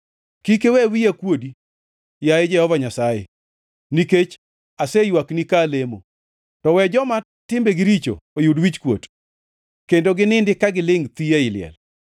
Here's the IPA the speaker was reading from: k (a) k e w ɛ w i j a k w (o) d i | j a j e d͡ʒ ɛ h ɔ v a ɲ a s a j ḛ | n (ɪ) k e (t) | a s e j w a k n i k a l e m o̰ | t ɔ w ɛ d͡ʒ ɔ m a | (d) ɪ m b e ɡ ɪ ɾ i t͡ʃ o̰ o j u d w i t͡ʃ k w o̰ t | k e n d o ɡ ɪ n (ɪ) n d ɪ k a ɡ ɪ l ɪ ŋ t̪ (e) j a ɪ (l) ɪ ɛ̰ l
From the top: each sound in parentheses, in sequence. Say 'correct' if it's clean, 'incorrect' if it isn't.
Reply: incorrect, correct, incorrect, incorrect, incorrect, correct, incorrect, correct

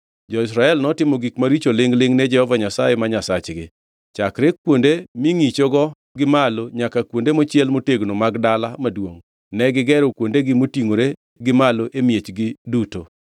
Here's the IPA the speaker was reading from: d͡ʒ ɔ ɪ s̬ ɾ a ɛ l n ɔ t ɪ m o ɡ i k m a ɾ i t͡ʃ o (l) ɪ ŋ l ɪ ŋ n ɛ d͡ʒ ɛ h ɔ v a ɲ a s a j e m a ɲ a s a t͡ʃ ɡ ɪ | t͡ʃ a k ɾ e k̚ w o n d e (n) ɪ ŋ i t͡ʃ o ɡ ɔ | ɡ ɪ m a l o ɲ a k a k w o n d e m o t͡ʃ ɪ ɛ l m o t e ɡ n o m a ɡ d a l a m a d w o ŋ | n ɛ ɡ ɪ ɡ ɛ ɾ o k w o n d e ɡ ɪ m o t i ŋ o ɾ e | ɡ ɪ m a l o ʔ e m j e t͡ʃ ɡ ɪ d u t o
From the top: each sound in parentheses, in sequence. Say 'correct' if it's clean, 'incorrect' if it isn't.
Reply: correct, incorrect

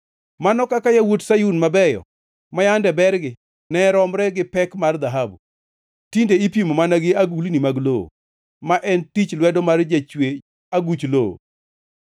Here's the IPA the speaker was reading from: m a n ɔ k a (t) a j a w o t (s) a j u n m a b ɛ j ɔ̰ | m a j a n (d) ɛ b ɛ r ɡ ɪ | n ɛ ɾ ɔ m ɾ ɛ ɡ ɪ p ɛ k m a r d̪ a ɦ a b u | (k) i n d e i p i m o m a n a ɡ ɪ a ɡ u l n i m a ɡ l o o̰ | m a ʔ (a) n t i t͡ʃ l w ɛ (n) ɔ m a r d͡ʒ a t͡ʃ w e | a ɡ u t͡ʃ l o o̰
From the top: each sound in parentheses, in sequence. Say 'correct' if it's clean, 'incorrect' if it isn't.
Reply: incorrect, correct, correct, incorrect, incorrect, incorrect

